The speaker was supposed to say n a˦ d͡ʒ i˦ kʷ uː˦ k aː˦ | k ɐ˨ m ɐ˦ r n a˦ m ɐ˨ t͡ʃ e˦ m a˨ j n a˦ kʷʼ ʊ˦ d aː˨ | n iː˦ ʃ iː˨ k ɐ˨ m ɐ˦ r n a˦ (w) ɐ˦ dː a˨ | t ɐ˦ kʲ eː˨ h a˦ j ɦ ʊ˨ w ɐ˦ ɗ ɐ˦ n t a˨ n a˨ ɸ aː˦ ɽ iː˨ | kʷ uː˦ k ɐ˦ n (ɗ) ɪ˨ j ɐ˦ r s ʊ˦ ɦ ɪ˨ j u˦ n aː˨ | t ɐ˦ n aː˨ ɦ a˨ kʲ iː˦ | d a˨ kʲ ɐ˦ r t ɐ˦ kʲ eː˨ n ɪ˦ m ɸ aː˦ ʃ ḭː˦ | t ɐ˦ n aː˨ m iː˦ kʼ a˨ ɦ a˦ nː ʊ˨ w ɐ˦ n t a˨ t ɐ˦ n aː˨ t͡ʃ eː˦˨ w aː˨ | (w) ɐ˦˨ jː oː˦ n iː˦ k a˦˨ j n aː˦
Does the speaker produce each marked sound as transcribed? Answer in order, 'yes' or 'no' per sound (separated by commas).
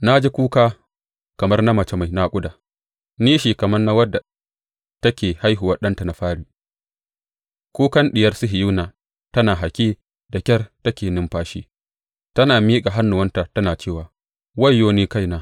yes, yes, yes